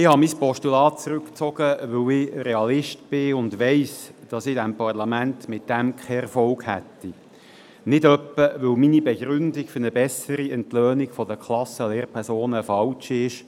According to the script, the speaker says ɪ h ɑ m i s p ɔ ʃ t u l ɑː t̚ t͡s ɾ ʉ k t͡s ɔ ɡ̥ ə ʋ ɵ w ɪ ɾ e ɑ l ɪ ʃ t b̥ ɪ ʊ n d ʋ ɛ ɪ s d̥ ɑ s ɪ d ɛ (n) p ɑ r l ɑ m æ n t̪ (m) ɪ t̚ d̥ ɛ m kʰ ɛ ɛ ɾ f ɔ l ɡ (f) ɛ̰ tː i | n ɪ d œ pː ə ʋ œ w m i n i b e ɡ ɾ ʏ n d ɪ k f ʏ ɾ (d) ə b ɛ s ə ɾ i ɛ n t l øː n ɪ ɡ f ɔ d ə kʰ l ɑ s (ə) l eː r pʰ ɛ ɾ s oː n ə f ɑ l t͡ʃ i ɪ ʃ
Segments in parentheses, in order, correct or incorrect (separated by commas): incorrect, correct, incorrect, incorrect, correct